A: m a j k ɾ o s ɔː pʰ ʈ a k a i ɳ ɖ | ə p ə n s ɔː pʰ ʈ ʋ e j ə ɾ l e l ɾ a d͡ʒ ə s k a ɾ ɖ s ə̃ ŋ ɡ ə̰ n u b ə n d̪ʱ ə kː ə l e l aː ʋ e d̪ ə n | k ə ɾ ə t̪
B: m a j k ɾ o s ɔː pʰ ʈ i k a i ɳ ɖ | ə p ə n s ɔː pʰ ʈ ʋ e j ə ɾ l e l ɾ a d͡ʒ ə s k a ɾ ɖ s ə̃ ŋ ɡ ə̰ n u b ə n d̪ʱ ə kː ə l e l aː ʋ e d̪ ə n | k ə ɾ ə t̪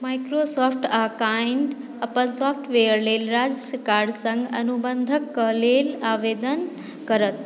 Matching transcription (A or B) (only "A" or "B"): A